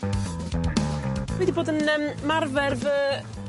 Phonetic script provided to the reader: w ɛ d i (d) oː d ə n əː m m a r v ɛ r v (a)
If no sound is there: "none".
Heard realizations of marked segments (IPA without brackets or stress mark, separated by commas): b, ə